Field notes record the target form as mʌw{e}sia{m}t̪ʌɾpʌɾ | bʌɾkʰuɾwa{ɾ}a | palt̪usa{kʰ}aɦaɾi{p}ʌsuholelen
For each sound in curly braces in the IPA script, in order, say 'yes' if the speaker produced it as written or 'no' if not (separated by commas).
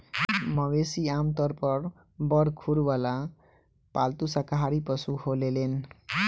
yes, yes, no, no, yes